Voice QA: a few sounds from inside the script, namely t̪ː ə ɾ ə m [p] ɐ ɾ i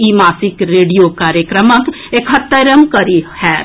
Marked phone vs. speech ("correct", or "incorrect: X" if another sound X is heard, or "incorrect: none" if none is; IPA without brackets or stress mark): incorrect: k